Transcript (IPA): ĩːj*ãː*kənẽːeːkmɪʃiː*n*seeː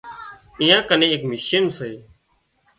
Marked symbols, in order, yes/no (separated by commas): yes, yes